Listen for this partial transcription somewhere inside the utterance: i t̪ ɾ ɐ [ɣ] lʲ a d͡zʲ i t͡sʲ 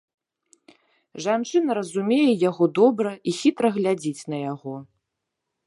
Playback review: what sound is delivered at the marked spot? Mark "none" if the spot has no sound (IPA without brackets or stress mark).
ɣ